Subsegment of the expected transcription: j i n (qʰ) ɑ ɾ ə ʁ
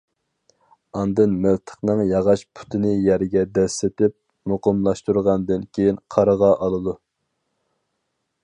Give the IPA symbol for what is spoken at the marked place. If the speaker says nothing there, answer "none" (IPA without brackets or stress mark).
qʰ